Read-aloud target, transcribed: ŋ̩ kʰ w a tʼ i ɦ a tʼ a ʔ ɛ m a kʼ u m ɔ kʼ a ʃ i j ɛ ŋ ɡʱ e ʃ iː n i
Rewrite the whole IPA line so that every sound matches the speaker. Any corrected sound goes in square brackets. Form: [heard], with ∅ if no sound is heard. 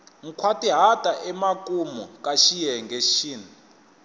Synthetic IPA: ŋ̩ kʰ w a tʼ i ɦ a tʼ a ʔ ɛ m a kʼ u m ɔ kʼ a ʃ i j ɛ ŋ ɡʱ e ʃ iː n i